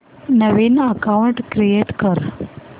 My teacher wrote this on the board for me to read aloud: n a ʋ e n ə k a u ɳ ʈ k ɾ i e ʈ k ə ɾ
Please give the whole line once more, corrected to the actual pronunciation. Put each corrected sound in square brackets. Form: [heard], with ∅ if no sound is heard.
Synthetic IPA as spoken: n [ə] ʋ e n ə k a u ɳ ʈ k ɾ i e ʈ k ə ɾ